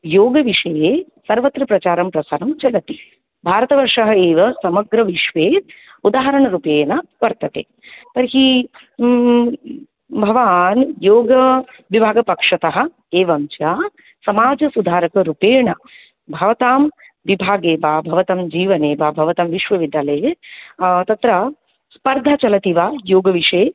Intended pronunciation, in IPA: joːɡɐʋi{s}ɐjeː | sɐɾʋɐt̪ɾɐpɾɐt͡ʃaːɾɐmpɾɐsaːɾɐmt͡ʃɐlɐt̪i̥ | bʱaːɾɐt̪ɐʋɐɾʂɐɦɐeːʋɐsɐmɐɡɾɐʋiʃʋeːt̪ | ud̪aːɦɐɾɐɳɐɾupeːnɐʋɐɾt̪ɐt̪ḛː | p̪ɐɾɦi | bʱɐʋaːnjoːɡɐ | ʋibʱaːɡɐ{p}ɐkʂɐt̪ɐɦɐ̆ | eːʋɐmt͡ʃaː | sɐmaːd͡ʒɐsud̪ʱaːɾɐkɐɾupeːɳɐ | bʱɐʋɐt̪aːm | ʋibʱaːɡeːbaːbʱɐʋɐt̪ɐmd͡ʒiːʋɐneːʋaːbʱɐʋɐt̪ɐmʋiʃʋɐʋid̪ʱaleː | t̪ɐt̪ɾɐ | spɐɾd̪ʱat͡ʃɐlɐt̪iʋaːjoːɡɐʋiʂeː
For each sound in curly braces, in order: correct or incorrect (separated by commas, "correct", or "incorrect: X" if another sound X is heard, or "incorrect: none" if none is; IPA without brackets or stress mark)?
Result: incorrect: ʂ, correct